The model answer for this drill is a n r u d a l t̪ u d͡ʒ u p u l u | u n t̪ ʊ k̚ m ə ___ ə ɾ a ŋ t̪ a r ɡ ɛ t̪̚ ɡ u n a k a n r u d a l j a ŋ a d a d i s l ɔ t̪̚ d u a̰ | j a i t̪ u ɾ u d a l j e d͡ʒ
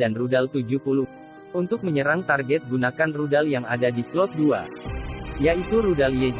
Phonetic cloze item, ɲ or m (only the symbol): ɲ